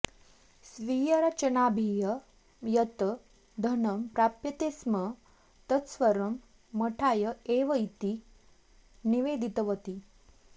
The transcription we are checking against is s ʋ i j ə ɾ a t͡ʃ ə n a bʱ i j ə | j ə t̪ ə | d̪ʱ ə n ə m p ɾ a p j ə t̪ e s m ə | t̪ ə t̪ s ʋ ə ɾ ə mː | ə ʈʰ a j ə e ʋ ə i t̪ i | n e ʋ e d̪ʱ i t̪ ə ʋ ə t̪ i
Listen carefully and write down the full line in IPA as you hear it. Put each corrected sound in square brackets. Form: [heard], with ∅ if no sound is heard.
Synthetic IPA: s ʋ i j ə ɾ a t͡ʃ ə n a bʱ i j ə | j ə t̪ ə | d̪ʱ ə n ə m p ɾ a p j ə t̪ e s m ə | t̪ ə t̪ s ʋ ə ɾ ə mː | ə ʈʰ a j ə e ʋ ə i t̪ i | n [i] ʋ e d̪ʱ i t̪ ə ʋ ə t̪ i